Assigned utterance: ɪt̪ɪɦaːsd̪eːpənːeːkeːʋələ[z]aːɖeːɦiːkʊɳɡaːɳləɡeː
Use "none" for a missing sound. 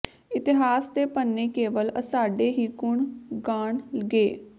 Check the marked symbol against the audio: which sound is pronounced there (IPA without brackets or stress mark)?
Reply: s